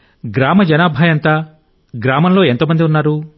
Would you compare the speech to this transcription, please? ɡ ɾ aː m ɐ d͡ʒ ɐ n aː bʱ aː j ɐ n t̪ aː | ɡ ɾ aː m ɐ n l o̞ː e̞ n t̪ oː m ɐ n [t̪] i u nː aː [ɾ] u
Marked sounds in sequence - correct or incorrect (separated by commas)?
incorrect, correct